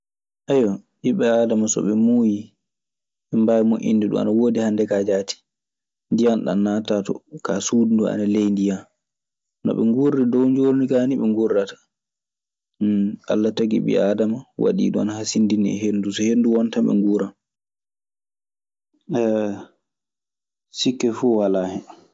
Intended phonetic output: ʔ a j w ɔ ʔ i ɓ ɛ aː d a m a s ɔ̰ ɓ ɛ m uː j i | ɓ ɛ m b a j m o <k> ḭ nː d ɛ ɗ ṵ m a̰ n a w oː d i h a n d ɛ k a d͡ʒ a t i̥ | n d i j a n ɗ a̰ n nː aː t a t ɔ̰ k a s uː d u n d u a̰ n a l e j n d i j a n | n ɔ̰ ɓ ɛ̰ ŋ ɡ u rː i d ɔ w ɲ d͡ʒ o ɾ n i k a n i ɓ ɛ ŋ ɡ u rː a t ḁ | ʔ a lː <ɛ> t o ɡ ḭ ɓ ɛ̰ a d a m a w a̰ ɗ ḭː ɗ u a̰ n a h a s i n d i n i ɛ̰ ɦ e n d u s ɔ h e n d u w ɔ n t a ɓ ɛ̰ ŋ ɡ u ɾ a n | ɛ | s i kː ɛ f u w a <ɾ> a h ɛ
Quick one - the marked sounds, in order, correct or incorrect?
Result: incorrect: ʔ, incorrect: a, incorrect: l

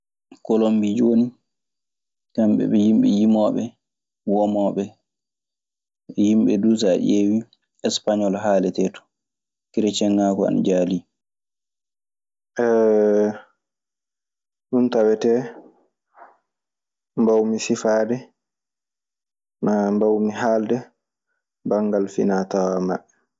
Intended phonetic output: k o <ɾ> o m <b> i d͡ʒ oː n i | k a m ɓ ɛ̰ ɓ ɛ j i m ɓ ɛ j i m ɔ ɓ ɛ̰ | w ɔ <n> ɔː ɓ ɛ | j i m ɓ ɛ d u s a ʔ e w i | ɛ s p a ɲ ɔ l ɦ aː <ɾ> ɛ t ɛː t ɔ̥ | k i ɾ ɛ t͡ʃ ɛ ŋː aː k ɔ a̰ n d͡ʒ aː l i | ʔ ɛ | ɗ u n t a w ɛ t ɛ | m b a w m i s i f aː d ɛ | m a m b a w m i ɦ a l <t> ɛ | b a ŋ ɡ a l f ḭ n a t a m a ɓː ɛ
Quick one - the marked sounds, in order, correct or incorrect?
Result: incorrect: l, correct, incorrect: m, incorrect: l, incorrect: d

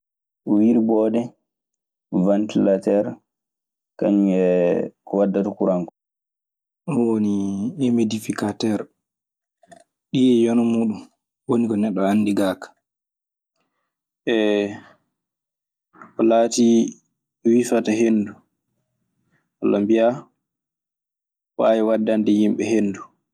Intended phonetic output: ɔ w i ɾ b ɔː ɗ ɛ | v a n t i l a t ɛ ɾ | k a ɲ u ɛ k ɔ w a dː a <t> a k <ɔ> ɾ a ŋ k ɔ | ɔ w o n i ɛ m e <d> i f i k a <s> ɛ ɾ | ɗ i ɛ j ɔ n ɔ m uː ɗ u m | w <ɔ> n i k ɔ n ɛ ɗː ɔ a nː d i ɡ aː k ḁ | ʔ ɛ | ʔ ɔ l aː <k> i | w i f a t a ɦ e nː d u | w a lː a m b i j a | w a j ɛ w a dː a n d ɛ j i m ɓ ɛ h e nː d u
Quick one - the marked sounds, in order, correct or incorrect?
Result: correct, incorrect: u, correct, incorrect: t, incorrect: o, incorrect: t

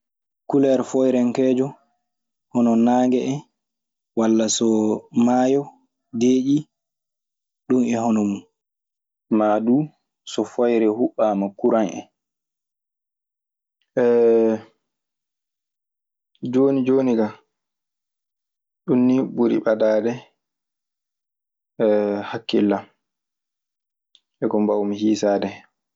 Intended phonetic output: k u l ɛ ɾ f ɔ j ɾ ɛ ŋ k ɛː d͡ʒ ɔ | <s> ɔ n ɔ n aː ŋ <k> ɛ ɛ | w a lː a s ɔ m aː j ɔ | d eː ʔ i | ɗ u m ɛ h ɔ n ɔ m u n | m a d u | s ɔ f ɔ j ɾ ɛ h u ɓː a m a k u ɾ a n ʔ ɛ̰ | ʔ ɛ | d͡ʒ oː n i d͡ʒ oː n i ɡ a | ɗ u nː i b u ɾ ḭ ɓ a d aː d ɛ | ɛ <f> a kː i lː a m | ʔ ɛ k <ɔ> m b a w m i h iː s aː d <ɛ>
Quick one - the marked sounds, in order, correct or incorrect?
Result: incorrect: h, incorrect: ɡ, incorrect: h, correct, correct

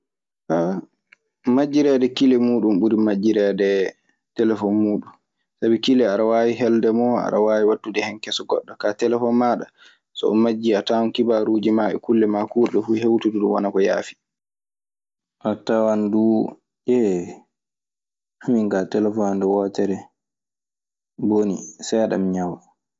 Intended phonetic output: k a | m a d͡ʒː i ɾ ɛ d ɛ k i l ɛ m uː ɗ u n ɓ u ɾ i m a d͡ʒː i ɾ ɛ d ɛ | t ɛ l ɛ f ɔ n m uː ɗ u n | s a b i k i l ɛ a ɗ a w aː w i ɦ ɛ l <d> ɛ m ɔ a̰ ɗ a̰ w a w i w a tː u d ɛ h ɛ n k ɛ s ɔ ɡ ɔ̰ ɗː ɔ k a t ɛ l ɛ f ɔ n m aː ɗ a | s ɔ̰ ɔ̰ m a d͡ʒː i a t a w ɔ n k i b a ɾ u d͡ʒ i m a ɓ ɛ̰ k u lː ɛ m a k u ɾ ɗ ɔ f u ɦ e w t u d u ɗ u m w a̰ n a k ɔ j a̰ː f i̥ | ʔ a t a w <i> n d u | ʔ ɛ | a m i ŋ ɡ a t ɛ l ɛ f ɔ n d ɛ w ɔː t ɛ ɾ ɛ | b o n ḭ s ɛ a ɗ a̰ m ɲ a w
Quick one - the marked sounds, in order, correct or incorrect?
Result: correct, incorrect: a

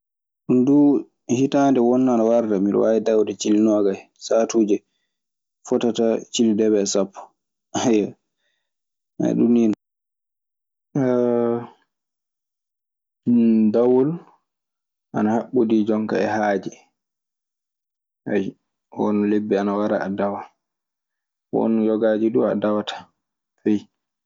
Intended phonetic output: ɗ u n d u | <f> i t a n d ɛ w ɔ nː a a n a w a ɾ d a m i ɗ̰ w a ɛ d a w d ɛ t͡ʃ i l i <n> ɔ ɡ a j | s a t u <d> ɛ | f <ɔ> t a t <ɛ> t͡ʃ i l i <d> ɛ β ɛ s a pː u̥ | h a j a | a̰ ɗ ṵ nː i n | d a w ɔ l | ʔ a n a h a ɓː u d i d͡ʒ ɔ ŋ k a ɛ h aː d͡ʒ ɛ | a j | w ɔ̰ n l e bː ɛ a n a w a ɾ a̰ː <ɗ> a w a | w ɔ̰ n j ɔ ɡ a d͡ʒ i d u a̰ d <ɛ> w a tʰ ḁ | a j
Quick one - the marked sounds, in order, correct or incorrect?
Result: incorrect: h, correct, incorrect: d͡ʒ, correct, incorrect: a, correct, incorrect: d, incorrect: a

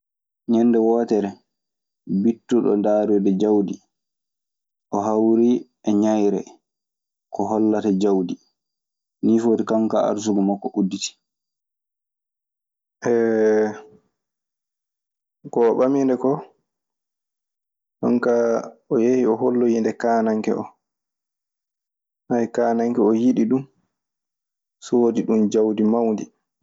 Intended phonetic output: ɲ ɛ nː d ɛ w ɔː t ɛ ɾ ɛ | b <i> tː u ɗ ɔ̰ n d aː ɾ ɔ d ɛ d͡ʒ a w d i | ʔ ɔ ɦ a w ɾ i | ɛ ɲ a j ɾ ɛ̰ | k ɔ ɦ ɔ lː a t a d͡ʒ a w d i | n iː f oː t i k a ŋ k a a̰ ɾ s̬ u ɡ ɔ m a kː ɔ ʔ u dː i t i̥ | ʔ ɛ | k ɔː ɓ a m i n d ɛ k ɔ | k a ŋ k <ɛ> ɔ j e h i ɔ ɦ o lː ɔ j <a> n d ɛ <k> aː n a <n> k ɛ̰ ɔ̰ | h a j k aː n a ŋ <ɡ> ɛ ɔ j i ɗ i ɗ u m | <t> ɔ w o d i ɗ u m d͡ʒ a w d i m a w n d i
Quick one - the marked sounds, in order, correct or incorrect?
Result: correct, incorrect: a, incorrect: i, correct, incorrect: ŋ, incorrect: k, incorrect: s

